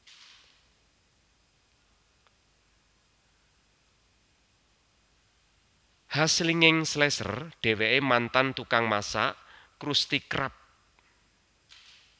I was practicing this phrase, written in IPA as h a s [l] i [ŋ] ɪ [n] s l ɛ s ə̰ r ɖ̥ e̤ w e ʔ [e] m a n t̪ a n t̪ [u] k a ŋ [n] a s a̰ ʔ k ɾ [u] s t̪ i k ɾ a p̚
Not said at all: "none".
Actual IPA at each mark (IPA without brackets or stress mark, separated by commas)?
l, ŋ, ŋ, e, u, m, u